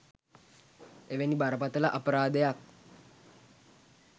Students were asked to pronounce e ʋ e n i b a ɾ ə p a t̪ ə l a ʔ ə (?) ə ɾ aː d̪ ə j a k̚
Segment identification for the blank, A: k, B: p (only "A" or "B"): B